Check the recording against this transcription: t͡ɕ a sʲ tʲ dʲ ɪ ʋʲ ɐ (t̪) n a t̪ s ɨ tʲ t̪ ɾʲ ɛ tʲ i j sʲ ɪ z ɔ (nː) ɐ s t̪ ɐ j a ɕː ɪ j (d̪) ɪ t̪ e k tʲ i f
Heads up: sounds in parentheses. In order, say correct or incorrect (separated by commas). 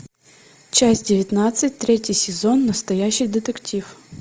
correct, correct, correct